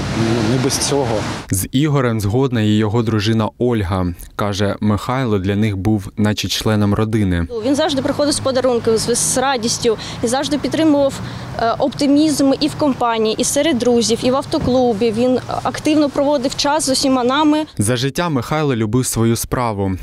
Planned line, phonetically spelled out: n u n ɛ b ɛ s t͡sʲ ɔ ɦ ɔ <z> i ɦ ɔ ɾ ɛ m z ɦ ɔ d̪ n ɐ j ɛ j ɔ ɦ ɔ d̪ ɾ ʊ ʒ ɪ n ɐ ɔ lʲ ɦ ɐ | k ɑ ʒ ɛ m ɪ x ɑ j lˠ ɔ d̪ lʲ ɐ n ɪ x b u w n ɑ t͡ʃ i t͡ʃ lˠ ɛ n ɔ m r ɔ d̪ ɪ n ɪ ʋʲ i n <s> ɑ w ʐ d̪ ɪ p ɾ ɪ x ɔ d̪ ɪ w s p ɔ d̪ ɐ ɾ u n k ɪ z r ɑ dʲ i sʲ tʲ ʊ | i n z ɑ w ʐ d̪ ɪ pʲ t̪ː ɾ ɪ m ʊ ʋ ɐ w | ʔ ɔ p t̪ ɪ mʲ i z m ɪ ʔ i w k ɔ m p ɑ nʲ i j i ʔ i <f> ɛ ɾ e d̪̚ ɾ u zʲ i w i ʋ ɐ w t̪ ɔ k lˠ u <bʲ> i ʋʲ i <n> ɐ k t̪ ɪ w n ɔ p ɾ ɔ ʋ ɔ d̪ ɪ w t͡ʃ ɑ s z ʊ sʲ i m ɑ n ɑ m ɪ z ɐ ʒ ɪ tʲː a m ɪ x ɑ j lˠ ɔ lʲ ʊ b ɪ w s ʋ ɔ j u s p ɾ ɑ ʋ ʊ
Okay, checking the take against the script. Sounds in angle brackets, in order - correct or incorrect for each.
correct, incorrect: z, incorrect: s, correct, correct

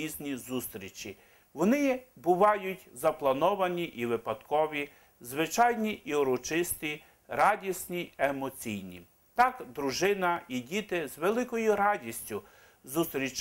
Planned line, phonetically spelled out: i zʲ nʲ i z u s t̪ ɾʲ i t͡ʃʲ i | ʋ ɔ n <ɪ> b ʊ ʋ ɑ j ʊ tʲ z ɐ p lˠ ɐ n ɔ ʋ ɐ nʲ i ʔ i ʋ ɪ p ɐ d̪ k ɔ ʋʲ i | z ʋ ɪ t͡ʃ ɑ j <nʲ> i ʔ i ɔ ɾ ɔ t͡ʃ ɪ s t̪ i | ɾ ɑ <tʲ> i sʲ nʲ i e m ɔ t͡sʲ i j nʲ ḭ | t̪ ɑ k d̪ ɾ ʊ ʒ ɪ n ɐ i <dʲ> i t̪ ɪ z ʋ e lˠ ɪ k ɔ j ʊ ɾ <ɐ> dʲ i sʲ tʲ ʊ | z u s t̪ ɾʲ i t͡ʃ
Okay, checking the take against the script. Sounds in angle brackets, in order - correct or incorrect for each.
correct, correct, incorrect: dʲ, correct, incorrect: ɑ

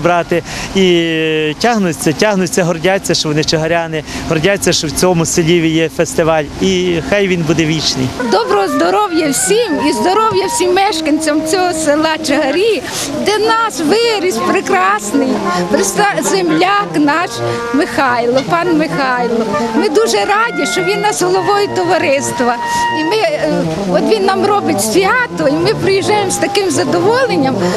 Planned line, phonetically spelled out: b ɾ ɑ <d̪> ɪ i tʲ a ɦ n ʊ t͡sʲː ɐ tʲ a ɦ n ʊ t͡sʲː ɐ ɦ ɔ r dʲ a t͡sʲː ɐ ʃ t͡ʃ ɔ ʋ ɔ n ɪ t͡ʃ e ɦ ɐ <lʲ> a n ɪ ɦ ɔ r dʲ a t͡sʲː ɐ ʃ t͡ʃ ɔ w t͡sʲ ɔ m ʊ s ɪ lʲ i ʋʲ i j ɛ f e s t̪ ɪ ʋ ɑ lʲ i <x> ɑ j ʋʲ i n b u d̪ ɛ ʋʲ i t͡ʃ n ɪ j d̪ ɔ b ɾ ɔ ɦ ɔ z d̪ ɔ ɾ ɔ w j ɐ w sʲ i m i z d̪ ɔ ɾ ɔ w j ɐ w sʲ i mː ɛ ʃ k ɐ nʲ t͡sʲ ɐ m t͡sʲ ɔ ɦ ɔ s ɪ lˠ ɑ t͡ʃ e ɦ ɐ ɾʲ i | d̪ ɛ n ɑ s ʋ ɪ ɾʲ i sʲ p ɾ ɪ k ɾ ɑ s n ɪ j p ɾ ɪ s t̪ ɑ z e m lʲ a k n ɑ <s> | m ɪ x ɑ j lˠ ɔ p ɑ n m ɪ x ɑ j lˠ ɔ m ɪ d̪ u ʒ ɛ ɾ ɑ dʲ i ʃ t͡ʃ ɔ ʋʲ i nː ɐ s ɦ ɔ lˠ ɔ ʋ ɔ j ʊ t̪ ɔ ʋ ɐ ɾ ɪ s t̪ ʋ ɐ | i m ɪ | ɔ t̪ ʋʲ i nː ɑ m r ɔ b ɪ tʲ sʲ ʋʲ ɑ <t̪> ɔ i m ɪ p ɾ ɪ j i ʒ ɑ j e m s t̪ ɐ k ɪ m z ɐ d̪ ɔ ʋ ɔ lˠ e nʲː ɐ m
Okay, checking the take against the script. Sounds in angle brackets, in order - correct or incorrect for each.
incorrect: t̪, incorrect: ɾʲ, correct, incorrect: ʃ, correct

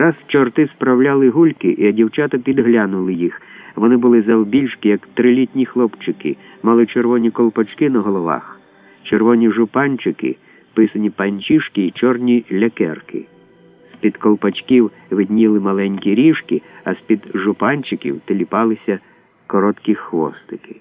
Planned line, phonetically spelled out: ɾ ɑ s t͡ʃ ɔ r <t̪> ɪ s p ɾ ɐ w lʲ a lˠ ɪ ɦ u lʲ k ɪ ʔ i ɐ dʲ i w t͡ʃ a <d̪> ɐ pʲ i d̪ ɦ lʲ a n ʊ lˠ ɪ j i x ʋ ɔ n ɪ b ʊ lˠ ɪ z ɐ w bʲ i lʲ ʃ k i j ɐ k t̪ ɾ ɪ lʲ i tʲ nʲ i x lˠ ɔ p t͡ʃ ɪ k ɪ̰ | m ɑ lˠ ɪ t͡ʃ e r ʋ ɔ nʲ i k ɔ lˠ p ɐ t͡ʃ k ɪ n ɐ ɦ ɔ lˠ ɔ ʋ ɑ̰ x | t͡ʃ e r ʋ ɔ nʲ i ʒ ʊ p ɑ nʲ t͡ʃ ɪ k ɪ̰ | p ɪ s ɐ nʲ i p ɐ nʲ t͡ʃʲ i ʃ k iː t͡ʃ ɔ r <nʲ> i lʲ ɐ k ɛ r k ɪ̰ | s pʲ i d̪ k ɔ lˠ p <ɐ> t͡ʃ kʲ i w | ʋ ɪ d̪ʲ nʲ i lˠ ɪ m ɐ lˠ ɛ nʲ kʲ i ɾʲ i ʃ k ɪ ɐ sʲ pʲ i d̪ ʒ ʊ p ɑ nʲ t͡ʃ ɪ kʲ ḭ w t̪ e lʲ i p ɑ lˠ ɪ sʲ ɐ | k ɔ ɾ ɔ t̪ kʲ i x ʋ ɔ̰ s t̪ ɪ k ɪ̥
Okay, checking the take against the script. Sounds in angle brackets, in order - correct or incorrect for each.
correct, incorrect: t̪, correct, correct

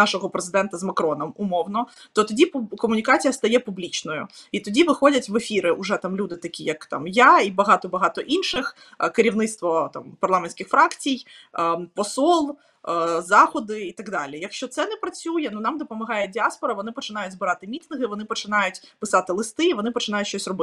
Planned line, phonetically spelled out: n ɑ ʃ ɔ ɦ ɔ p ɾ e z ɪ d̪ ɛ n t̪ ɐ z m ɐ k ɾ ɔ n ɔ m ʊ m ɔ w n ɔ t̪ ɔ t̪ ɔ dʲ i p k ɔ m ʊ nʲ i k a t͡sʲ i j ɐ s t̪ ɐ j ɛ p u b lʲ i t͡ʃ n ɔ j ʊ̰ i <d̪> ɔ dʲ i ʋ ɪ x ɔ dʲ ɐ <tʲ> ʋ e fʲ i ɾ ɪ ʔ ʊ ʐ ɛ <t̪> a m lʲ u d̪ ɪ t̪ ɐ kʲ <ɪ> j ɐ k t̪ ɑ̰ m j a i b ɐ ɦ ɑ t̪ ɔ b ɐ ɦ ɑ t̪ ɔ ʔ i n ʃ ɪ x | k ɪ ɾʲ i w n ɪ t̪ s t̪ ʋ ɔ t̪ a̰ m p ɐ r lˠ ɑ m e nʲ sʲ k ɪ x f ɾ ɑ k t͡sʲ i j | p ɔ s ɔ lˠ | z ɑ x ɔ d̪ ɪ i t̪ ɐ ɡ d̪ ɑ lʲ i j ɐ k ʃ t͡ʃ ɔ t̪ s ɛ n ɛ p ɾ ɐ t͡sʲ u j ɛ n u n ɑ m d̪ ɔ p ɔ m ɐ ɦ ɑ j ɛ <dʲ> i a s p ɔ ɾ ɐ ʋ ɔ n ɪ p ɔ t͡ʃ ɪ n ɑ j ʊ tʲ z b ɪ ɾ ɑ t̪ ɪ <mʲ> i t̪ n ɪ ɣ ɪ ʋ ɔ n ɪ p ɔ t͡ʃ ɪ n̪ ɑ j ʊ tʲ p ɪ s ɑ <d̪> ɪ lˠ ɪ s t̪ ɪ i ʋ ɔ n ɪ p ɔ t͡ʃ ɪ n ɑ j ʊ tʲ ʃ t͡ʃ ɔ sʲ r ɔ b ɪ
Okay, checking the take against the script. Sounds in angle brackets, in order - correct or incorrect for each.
incorrect: t̪, correct, correct, incorrect: i, correct, correct, incorrect: t̪

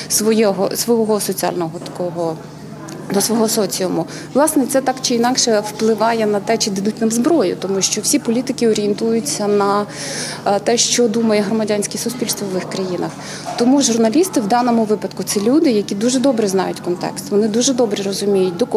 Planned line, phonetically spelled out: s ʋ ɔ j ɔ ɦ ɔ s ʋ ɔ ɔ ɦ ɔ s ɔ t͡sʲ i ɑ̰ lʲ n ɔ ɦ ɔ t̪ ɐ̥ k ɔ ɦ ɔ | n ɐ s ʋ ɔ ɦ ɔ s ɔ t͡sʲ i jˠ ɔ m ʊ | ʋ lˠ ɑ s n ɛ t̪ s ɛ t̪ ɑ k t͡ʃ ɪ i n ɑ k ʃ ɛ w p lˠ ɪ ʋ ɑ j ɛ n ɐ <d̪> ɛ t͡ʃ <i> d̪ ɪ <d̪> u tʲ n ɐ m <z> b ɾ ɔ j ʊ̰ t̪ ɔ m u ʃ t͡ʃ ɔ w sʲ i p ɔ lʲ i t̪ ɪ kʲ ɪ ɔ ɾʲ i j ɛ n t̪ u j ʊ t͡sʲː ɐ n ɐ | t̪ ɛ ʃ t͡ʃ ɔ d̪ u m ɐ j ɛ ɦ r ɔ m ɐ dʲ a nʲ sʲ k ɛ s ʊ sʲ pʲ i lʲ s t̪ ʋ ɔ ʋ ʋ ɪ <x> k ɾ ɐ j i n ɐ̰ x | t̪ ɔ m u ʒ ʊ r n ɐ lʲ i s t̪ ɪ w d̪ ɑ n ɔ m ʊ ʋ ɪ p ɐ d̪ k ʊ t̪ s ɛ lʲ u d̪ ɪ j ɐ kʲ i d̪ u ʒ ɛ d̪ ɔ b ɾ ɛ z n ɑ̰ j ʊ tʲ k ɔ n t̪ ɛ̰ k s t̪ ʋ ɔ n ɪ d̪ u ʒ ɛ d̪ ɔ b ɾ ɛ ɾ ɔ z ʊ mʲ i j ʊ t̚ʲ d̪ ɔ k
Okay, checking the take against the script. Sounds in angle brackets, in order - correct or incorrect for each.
incorrect: t̪, incorrect: ɪ, correct, correct, correct

